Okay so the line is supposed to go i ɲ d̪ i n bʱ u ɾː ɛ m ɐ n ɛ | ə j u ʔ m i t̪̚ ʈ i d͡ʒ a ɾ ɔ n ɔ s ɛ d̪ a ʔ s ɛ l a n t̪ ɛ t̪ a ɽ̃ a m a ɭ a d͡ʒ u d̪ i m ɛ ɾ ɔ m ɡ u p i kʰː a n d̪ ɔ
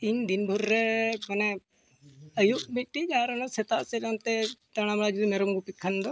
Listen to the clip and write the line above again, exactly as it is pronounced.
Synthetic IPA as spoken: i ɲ d̪ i n bʱ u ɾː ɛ m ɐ n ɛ | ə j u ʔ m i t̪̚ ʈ i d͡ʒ a ɾ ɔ n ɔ s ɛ t̪ a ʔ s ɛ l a n t̪ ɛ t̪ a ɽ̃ a m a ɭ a d͡ʒ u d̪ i m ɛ ɾ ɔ m ɡ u p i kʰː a n d̪ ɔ